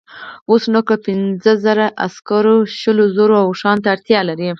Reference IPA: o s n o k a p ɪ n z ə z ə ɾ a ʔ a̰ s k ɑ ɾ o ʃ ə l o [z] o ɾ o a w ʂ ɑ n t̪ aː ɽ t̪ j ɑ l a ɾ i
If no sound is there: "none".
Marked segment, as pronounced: z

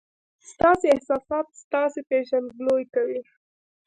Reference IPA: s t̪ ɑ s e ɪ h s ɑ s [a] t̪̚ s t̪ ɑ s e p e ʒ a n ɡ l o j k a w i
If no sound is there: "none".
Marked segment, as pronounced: ɑ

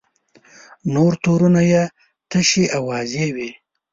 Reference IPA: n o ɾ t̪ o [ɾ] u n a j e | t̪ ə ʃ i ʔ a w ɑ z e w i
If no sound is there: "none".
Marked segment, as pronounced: ɾ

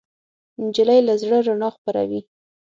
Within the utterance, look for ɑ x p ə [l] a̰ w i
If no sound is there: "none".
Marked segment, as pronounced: ɾ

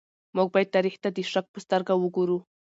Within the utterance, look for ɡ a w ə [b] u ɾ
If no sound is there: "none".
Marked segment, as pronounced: ɡ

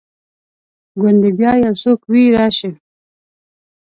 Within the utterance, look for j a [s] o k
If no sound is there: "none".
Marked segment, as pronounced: s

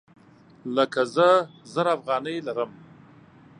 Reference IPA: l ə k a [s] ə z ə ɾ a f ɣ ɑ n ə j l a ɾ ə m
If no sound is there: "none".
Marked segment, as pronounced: z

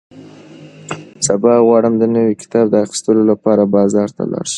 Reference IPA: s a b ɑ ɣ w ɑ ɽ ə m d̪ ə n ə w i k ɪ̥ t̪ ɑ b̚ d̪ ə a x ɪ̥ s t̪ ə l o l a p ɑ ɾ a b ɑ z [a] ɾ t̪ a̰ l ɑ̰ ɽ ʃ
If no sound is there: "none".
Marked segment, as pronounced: ɑ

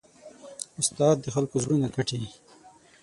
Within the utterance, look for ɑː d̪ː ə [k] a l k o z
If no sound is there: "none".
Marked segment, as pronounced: x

